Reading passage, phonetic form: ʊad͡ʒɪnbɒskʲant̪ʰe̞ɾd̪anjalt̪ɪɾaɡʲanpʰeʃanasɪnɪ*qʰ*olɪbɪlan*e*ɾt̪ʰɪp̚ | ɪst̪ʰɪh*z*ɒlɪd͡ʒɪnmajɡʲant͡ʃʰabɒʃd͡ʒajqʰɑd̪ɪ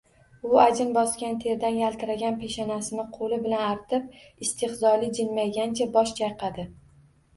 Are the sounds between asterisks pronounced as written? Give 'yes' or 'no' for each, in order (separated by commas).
yes, no, yes